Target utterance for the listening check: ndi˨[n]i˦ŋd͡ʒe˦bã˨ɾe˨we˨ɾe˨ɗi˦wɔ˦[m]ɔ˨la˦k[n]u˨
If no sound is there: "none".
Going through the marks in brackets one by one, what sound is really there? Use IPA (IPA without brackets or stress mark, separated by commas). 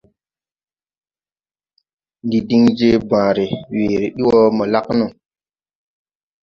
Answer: d, m, n